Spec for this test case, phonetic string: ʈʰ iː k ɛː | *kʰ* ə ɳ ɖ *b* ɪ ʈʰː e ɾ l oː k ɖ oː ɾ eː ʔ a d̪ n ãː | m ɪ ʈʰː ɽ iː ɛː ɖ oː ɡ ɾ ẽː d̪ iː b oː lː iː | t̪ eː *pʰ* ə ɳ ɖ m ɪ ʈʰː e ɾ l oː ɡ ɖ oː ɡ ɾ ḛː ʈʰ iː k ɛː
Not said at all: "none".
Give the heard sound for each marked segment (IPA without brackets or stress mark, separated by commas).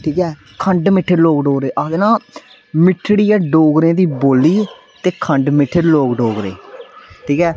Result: kʰ, m, kʰ